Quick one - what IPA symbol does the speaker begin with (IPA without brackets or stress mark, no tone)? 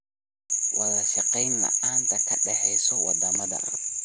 w